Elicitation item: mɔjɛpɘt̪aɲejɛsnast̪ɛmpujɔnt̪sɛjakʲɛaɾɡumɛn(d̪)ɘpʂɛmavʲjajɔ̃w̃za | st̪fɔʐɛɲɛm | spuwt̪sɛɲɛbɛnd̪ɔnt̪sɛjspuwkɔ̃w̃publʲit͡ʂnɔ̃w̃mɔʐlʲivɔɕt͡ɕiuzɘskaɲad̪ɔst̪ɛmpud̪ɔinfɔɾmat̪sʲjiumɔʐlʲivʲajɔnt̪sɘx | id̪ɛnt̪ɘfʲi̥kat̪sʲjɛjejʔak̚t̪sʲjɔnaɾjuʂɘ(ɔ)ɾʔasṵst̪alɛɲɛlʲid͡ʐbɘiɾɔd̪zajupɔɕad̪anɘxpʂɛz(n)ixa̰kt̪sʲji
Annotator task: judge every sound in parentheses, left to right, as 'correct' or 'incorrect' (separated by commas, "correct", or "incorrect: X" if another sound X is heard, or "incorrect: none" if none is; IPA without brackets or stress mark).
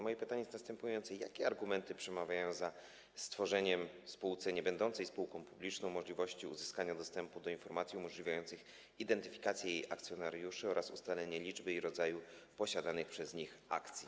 incorrect: t̪, correct, incorrect: ɲ